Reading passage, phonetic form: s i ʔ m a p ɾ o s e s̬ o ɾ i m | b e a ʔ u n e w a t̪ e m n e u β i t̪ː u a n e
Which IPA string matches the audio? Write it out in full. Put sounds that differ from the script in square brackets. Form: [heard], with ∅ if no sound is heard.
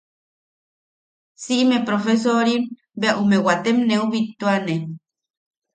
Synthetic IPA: s i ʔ m [e] p ɾ o [f] e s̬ o ɾ i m | b e a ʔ u [m] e w a t̪ e m n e u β i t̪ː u a n e